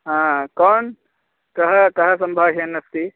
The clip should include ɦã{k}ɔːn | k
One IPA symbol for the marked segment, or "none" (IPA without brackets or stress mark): k